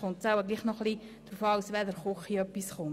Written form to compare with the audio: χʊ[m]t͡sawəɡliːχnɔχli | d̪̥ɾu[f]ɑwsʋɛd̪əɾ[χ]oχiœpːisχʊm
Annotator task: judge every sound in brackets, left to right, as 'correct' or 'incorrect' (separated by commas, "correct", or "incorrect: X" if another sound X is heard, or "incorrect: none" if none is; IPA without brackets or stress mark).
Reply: incorrect: n, correct, correct